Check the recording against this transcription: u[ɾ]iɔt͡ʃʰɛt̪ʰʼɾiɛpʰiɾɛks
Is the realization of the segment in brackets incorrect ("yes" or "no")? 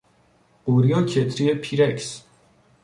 no